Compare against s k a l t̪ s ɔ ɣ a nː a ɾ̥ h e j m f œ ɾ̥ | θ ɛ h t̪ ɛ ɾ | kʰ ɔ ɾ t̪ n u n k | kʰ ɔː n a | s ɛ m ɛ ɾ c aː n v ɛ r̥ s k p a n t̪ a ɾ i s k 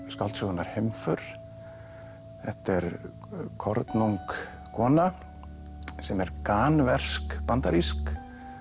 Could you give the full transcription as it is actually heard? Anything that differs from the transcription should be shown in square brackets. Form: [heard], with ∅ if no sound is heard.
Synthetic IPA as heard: s k a l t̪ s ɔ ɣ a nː a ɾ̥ h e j m f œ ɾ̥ | θ ɛ h t̪ ɛ ɾ | kʰ ɔ ɾ t̪ n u [ŋ] k | kʰ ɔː n a | s ɛ m ɛ ɾ [k] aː n v ɛ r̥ s k p a n t̪ a ɾ i s k